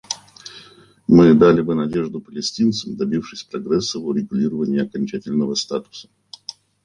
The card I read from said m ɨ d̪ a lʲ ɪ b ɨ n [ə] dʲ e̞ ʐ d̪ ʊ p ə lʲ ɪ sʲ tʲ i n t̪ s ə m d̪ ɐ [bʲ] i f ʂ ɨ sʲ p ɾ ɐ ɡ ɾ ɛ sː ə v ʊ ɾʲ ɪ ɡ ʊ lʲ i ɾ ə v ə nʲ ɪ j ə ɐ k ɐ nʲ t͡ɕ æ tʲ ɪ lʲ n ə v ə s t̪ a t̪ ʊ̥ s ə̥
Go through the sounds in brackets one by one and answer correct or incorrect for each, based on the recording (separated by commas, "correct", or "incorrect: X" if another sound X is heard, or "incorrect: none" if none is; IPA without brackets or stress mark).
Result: incorrect: ɐ, correct